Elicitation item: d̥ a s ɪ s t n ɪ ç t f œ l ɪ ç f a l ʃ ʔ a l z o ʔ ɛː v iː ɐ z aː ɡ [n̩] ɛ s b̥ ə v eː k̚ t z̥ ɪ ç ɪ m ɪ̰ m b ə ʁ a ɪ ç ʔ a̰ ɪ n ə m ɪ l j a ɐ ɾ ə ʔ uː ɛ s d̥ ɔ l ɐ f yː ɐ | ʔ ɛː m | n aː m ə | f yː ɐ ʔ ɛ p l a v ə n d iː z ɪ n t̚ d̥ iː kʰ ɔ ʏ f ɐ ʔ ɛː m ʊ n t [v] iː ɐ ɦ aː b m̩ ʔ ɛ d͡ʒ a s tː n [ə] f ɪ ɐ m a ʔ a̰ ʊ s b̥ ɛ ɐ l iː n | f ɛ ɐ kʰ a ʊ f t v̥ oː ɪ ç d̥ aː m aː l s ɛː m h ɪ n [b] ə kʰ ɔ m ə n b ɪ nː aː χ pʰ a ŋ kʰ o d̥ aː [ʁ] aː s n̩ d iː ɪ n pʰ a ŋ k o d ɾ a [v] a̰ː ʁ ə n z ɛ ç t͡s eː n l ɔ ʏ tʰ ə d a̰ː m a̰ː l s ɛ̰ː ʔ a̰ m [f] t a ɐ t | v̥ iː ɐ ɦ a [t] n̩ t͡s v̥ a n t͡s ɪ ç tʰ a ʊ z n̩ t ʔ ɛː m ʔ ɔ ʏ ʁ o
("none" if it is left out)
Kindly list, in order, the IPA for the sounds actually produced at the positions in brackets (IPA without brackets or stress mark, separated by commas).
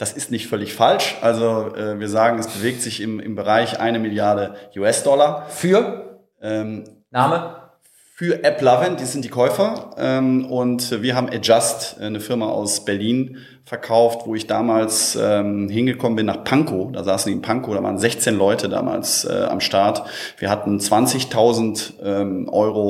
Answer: ŋ̩, v, ə, ɡ, z, v, ʃ, t